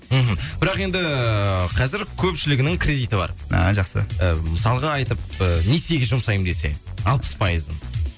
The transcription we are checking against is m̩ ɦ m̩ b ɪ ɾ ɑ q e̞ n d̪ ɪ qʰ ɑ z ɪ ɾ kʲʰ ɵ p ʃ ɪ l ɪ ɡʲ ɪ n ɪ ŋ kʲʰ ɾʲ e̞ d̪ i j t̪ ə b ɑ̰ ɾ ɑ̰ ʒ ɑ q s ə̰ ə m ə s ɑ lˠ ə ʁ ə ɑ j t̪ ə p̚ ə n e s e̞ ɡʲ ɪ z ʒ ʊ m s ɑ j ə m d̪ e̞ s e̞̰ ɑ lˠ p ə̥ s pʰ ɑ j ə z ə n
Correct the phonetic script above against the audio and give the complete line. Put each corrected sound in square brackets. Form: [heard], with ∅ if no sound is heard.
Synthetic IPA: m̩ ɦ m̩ b ɪ ɾ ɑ q e̞ n d̪ ɪ qʰ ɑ z ɪ ɾ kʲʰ ɵ p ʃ ɪ l ɪ ɡʲ ɪ n ɪ ŋ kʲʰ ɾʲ e̞ d̪ i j t̪ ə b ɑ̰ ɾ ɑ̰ ʒ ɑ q s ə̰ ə m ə s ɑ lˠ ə ʁ [ɑ] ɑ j t̪ ə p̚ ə n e s e̞ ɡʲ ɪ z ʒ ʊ m s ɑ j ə m d̪ e̞ s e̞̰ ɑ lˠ p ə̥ s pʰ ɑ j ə z ə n